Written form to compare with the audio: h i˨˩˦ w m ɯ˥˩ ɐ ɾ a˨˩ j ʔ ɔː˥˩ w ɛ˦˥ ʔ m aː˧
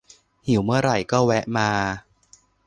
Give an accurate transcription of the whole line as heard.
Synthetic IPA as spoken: h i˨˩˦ w m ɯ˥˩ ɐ ɾ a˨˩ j k ɔː˥˩ w ɛ˦˥ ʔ m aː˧